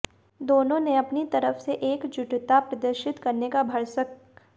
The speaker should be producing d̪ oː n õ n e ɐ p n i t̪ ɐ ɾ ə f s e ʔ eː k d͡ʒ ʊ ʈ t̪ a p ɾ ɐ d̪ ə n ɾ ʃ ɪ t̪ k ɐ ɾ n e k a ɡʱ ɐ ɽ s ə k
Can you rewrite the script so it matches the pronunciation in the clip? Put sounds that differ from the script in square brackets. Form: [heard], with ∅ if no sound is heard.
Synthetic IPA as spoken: d̪ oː n õ n e ɐ p n i t̪ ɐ ɾ ə f s e ʔ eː k d͡ʒ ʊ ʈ t̪ a p ɾ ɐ d̪ ə [∅] ɾ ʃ ɪ t̪ k ɐ ɾ n e k a [bʱ] ɐ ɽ s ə k